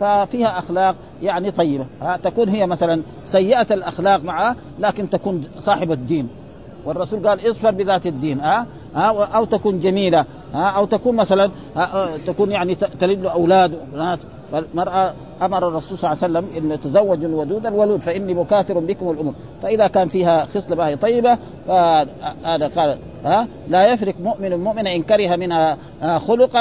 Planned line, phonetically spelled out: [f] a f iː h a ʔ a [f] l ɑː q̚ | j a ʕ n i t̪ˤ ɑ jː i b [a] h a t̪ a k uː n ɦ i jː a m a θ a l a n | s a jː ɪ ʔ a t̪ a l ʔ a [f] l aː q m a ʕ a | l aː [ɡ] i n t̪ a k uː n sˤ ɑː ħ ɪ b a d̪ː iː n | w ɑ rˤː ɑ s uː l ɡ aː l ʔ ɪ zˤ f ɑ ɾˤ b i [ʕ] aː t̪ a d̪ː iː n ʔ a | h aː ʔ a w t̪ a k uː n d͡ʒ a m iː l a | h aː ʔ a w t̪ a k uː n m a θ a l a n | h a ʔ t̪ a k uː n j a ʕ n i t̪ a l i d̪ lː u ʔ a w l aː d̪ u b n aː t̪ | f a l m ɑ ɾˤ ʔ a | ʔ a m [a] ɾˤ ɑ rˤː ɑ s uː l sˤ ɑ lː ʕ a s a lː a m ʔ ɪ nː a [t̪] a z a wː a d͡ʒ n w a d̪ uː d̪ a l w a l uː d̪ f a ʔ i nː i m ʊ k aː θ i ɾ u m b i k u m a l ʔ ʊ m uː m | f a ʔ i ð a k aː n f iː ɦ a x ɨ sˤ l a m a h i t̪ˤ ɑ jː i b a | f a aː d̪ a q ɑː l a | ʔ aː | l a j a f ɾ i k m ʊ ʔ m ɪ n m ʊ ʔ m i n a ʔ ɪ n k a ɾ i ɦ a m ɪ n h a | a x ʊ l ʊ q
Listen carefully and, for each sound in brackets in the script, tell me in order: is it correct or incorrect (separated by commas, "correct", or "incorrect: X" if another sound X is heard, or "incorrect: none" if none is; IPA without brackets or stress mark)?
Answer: correct, incorrect: x, correct, incorrect: x, incorrect: k, incorrect: ð, incorrect: ɑ, correct